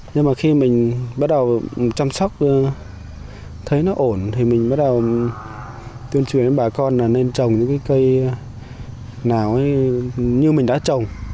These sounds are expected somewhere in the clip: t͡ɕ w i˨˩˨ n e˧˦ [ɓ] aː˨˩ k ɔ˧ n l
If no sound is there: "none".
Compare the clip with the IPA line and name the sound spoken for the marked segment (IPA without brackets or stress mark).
ɓ